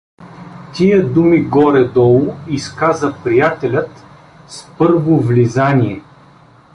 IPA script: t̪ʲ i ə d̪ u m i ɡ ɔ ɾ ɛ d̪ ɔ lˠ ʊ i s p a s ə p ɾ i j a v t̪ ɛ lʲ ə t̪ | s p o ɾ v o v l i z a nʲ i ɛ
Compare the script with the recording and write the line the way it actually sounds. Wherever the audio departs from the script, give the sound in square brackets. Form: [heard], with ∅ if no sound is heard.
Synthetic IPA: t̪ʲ i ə d̪ u m i ɡ ɔ ɾ ɛ d̪ ɔ lˠ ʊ i s [k] a [z] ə p ɾ i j a [∅] t̪ ɛ lʲ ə t̪ | s p [ɤ] ɾ v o v l i z a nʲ i ɛ